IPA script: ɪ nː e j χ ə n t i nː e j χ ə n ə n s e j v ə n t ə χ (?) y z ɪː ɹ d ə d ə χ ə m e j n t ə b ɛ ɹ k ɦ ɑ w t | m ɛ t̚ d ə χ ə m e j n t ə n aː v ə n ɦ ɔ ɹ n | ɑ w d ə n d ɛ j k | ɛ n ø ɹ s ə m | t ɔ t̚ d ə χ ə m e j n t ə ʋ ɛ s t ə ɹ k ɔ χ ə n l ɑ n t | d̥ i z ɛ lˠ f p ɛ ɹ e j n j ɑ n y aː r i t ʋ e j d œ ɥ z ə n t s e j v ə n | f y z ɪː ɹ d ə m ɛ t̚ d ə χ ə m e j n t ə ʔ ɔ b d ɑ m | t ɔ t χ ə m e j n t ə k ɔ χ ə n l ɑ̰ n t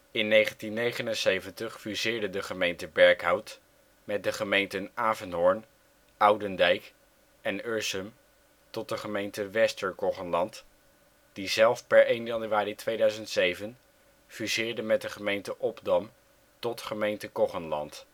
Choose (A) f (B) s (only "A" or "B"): A